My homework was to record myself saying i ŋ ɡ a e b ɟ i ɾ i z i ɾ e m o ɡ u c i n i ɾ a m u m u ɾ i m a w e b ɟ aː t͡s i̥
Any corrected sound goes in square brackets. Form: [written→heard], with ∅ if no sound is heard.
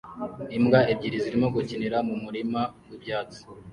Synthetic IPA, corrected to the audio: i [ŋ→m] ɡ a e b ɟ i ɾ i z i ɾ [e→i] m o ɡ u c i n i ɾ a m u m u ɾ i m a w [e→i] b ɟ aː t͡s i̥